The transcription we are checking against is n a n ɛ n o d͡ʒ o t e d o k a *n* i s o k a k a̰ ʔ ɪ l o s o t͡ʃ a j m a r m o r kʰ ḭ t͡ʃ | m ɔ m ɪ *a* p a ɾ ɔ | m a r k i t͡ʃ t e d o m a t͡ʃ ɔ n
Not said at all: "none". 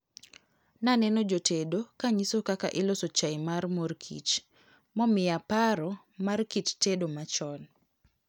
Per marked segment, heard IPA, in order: ɲ, a

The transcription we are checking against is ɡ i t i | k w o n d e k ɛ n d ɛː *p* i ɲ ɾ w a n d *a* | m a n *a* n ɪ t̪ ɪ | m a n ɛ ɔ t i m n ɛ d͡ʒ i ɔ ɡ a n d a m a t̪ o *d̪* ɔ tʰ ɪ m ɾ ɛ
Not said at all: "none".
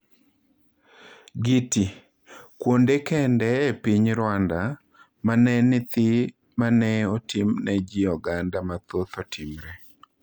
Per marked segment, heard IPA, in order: p, a, ɛ, t̪

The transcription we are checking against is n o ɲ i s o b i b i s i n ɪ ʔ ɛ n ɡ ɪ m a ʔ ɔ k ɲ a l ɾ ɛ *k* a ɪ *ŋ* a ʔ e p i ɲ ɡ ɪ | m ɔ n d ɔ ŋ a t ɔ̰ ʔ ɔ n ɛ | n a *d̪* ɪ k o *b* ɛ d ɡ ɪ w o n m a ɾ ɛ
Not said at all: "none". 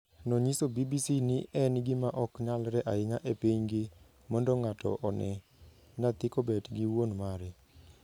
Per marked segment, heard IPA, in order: ʔ, ŋ, t̪, b

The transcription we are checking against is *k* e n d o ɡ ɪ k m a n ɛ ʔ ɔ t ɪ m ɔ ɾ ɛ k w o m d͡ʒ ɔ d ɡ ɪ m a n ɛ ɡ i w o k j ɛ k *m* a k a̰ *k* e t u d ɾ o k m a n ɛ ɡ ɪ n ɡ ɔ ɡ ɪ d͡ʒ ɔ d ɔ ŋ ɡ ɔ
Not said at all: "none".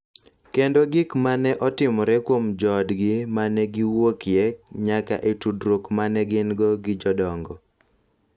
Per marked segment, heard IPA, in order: k, ɲ, ʔ

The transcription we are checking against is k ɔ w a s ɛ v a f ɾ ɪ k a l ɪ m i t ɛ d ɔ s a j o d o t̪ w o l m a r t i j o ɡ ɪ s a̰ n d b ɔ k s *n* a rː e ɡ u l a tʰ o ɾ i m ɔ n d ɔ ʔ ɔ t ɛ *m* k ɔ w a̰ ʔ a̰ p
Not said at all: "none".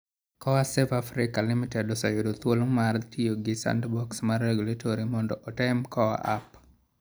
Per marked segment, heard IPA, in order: m, m

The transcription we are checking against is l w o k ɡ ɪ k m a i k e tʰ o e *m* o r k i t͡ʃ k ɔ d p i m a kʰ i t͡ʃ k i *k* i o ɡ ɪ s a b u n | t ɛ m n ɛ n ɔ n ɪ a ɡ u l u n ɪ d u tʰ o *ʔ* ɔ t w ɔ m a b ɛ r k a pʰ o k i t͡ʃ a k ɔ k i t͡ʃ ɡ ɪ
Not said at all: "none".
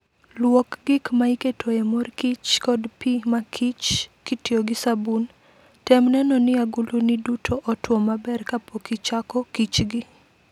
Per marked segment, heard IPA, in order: m, t, ʔ

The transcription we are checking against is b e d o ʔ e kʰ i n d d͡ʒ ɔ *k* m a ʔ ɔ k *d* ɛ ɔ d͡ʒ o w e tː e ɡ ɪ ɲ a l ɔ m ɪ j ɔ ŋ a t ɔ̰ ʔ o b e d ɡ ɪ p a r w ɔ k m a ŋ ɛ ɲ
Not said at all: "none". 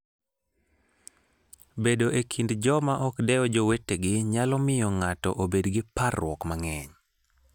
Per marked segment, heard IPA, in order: none, d

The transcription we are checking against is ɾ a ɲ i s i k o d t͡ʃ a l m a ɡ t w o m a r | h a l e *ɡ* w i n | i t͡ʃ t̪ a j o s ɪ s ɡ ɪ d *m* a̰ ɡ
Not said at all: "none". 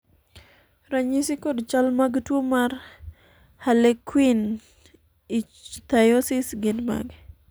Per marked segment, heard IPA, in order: k, m

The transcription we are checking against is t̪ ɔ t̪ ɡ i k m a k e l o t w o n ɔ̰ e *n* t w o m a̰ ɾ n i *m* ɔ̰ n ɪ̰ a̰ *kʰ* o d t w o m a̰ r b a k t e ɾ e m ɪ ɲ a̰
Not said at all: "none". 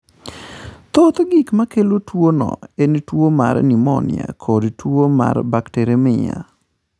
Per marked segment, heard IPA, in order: n, m, kʰ

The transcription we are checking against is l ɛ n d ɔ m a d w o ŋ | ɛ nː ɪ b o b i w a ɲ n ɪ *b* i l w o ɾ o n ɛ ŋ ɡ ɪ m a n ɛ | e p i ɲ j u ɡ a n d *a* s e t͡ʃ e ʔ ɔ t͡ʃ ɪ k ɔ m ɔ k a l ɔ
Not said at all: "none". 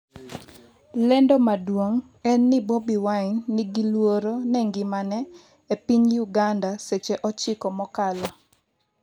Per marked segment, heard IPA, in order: ɡ, a

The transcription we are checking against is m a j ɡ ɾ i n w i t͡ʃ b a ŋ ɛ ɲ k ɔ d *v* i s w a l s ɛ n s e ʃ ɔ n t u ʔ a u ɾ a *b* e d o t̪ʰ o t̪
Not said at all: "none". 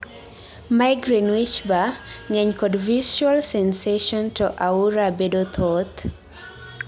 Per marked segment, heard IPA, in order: v, b

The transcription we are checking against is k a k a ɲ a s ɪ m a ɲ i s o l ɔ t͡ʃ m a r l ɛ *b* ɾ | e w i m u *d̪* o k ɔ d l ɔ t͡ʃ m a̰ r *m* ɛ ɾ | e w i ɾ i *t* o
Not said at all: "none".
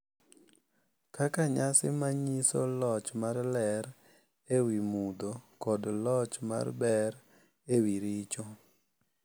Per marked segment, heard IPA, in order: none, d̪, b, t͡ʃ

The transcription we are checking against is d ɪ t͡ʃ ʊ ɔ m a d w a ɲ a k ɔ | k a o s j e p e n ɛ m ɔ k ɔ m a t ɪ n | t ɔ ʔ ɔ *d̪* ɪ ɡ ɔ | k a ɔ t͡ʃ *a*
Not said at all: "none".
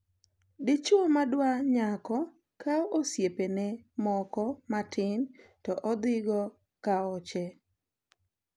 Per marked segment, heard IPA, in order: d̪, ɛ

